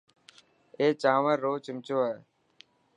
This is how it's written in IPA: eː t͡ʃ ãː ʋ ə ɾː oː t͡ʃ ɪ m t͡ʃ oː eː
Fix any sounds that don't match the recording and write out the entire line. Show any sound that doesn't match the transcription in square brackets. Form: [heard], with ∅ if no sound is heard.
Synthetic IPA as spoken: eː t͡ʃ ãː ʋ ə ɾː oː t͡ʃ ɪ m t͡ʃ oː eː